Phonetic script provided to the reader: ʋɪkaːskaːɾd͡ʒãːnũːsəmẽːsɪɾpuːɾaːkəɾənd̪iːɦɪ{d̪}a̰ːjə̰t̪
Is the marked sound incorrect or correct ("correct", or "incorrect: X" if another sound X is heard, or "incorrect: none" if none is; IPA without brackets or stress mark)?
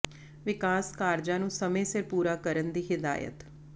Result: correct